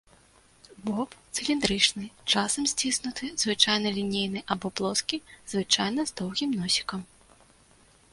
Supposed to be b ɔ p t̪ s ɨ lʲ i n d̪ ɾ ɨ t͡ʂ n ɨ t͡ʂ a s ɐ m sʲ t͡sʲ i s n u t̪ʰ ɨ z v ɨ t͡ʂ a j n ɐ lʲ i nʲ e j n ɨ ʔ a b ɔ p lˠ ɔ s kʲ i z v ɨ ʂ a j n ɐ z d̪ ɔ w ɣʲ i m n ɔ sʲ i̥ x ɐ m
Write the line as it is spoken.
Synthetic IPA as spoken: b ɔ p t̪ s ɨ lʲ i n d̪ ɾ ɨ t͡ʂ n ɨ t͡ʂ a s ɐ m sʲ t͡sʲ i s n u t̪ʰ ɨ z v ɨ t͡ʂ a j n ɐ lʲ i nʲ e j n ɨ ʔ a b ɔ p lˠ ɔ s kʲ i z v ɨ t͡ʂ a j n ɐ z d̪ ɔ w ɣʲ i m n ɔ sʲ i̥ k ɐ m